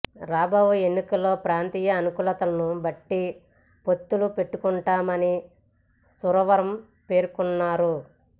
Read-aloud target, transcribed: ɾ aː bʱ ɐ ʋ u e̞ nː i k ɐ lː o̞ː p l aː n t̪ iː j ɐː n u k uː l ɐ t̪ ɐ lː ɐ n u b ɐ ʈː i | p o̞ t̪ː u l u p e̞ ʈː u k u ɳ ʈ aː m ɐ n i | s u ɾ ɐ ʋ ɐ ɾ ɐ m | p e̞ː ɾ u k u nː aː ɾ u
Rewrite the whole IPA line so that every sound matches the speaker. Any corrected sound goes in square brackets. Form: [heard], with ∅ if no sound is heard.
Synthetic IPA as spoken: ɾ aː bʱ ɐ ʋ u e̞ nː i k ɐ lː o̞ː p [ɾ] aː n t̪ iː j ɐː n u k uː l ɐ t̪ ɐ [l] ɐ n u b ɐ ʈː i | p o̞ t̪ː u l u p e̞ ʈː u k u ɳ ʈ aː m ɐ n i | s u ɾ ɐ ʋ ɐ ɾ ɐ m | p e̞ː ɾ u k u nː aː ɾ u

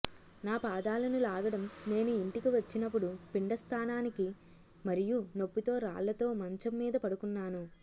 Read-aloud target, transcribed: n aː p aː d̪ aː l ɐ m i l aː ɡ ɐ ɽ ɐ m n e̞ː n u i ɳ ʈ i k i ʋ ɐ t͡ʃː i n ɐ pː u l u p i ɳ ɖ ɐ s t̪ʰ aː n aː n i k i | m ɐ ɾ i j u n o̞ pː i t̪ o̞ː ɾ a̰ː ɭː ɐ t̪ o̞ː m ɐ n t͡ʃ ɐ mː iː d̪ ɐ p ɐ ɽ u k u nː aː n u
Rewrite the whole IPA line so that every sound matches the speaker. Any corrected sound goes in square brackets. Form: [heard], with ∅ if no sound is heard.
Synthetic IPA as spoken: n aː p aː d̪ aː l ɐ [n] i l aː ɡ ɐ ɽ ɐ m n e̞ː n u i ɳ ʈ i k i ʋ ɐ t͡ʃː i n ɐ pː u [ɽ] u p i ɳ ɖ ɐ s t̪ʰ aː n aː n i k i | m ɐ ɾ i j u n o̞ pː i t̪ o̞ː ɾ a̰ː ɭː ɐ t̪ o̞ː m ɐ [ɲ] t͡ʃ ɐ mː iː d̪ ɐ p ɐ ɽ u k u nː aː n u

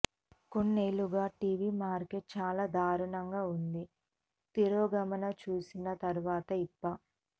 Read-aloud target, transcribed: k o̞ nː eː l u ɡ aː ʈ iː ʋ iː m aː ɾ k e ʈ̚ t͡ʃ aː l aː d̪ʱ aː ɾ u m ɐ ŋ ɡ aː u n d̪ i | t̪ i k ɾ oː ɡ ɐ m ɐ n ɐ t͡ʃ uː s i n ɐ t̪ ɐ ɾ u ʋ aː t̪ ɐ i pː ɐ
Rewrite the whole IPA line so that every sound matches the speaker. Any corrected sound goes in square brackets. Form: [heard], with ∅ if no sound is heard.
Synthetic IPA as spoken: k o̞ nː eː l u ɡ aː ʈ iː ʋ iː m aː ɾ k e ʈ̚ t͡ʃ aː l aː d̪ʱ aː ɾ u [ɳ] ɐ ŋ ɡ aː u n d̪ i | t̪ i [∅] ɾ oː ɡ ɐ m ɐ n ɐ t͡ʃ uː s i n ɐ t̪ ɐ ɾ u ʋ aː t̪ ɐ i pː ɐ

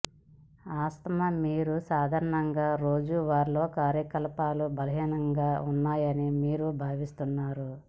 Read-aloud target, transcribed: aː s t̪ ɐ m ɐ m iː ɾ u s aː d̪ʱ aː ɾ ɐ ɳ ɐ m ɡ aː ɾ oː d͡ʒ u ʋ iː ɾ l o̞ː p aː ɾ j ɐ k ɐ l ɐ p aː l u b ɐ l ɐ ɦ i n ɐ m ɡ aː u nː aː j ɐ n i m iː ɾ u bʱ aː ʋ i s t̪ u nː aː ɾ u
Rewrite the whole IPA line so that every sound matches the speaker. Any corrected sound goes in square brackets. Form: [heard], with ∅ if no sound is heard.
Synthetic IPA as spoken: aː s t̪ ɐ m ɐ m iː ɾ u s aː d̪ʱ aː ɾ ɐ ɳ ɐ [ŋ] ɡ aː ɾ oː d͡ʒ u ʋ [aː] ɾ l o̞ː [k] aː ɾ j ɐ k ɐ l ɐ p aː l u b ɐ l ɐ ɦ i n ɐ [ŋ] ɡ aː u nː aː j ɐ n i m iː ɾ u bʱ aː ʋ i s t̪ u nː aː ɾ u

